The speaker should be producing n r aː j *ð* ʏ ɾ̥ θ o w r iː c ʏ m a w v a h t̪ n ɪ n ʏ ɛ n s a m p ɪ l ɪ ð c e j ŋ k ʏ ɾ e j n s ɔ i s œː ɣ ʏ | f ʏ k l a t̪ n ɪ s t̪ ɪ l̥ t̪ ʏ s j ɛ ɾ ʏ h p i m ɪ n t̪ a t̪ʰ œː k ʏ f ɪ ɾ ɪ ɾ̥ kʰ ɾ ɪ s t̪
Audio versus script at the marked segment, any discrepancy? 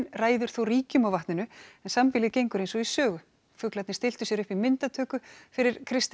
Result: no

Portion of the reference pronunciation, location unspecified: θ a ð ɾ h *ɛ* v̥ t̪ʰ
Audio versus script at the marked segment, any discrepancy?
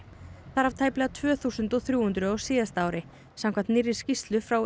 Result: yes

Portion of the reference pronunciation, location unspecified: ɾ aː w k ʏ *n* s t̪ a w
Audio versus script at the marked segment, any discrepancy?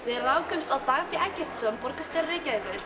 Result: yes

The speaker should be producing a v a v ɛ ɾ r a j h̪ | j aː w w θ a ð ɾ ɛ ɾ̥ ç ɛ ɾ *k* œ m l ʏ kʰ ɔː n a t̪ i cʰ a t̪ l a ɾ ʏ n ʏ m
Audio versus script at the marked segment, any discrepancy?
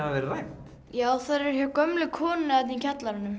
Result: no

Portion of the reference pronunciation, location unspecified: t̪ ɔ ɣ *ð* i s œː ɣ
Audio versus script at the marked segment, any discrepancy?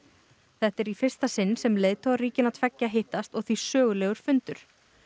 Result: yes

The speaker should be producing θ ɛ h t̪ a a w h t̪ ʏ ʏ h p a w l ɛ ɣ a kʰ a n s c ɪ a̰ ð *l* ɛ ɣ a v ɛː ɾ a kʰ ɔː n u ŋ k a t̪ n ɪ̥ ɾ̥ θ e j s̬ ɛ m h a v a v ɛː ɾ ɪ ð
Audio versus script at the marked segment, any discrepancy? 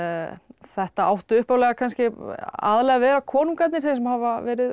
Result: no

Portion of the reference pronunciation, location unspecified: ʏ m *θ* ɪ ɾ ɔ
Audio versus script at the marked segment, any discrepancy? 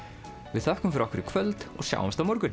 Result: yes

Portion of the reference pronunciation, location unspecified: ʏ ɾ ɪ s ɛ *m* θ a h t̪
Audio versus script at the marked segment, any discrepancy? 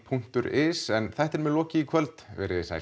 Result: yes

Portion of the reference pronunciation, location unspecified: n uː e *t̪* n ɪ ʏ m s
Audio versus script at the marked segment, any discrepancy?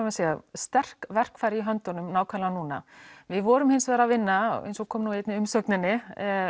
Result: no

